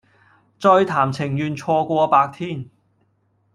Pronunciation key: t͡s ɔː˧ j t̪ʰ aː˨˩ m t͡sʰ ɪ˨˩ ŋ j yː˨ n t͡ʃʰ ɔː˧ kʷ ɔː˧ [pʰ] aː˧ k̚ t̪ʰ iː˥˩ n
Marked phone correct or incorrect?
incorrect